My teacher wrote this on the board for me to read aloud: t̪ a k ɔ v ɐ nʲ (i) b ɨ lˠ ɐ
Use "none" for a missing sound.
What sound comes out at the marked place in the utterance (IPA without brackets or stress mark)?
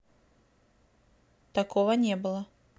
ɛ